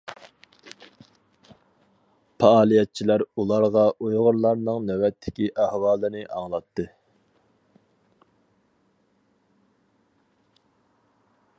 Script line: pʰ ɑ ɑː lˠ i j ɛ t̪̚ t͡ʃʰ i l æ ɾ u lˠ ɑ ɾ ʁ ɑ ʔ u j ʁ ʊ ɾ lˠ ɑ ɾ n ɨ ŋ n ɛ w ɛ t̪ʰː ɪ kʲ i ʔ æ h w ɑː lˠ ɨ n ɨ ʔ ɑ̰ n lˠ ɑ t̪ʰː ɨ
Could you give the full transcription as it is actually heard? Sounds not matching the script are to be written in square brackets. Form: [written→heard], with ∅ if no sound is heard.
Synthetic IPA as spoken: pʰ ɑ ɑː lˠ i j ɛ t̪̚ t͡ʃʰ i l æ ɾ u lˠ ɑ ɾ ʁ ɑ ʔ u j ʁ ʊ ɾ lˠ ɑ ɾ n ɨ ŋ n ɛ w ɛ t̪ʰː ɪ kʲ i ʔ æ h w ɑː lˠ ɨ n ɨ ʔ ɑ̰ [n→ŋ] lˠ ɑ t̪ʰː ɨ